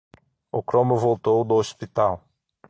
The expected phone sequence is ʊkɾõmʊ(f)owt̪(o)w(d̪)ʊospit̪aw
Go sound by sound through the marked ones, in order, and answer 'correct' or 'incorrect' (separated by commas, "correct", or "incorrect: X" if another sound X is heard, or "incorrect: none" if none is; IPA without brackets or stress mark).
incorrect: v, correct, correct